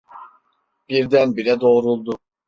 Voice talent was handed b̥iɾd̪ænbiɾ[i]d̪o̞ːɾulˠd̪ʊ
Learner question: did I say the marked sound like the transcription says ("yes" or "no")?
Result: no